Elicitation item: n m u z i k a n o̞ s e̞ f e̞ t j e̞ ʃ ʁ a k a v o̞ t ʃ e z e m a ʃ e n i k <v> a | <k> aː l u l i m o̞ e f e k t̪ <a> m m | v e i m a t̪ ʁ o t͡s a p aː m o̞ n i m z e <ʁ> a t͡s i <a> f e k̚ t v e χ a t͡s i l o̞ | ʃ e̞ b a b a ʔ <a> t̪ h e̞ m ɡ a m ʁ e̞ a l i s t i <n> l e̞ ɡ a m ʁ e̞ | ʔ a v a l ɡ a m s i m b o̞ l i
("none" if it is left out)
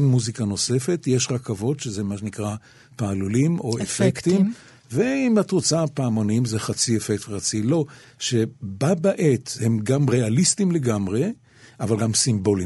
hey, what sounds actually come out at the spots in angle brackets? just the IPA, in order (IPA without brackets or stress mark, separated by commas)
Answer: ʁ, p, i, χ, e, e, m